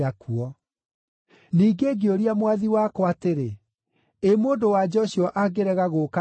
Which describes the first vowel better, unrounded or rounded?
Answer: unrounded